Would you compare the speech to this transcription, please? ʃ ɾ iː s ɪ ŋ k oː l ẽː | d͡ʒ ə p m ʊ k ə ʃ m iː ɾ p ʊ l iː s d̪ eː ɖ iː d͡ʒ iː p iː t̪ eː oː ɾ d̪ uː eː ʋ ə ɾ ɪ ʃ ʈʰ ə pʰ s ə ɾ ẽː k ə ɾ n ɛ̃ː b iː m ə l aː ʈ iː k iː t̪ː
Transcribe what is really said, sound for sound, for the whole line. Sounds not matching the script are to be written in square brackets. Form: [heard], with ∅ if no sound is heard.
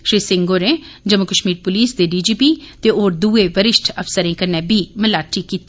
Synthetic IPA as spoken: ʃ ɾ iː s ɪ ŋ [ɡ] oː [ɾ] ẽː | d͡ʒ ə [∅] m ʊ k ə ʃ m iː ɾ p ʊ l iː s d̪ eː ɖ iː d͡ʒ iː p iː t̪ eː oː ɾ d̪ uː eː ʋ ə ɾ ɪ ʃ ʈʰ ə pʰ s ə ɾ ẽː k ə ɾ n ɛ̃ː b iː m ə l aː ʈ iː k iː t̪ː